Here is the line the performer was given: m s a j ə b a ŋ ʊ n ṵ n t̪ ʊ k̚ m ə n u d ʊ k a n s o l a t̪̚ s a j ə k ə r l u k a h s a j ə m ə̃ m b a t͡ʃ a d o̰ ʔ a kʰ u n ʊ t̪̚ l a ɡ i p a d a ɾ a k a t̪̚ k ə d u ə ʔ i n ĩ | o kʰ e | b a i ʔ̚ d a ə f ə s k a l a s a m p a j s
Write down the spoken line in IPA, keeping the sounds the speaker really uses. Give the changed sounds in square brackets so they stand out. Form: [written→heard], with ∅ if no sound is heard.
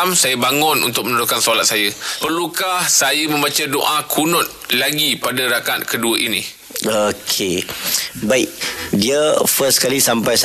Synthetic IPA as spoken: m s a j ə b a ŋ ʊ n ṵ n t̪ ʊ k̚ m ə n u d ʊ k a n s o l a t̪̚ s a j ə [k→p] ə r l u k a h s a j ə m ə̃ m b a t͡ʃ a d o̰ ʔ a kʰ u n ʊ t̪̚ l a ɡ i p a d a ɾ a k a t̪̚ k ə d u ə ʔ i n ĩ | o kʰ e | b a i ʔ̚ d [a→i] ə f ə s k a l [a→i] s a m p a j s